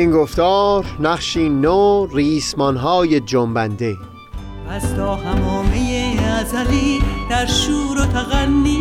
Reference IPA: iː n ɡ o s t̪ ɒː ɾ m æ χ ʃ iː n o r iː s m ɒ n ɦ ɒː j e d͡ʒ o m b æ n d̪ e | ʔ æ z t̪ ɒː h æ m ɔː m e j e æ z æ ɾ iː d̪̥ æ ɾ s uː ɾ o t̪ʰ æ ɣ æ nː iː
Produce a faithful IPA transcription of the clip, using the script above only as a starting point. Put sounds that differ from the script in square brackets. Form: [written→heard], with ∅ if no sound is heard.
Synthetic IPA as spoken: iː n ɡ o [s→f] t̪ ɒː ɾ [m→n] æ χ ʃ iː n o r iː s m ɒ n ɦ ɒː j e d͡ʒ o m b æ n d̪ e | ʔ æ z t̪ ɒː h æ m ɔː m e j e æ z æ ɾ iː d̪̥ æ ɾ [s→ʃ] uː ɾ o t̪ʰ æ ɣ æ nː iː